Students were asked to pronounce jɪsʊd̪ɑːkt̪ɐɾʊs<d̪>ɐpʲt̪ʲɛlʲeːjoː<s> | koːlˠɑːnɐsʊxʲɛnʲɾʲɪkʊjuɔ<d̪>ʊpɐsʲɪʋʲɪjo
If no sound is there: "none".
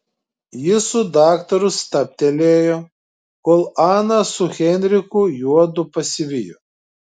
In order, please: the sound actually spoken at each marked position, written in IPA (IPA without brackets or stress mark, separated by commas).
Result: t̪, none, d̪